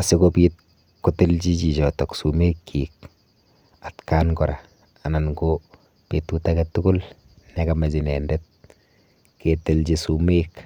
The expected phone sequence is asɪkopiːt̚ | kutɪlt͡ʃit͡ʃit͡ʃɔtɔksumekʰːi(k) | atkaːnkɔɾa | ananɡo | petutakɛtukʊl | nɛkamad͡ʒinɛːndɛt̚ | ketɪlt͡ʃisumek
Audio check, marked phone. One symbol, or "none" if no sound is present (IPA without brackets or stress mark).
k